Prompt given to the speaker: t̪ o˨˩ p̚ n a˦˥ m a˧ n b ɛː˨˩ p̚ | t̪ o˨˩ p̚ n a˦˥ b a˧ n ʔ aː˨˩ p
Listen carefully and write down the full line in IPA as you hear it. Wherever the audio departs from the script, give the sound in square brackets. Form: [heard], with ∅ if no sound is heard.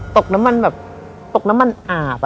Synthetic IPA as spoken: t̪ o˨˩ [k̚] n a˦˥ m a˧ n b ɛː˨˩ p̚ | t̪ o˨˩ [k̚] n a˦˥ [m] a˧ n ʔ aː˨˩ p